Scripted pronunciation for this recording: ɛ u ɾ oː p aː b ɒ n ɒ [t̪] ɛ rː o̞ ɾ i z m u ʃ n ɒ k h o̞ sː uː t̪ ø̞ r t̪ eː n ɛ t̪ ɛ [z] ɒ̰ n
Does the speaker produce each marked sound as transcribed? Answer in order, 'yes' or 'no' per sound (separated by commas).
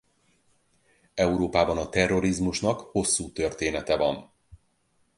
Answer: yes, no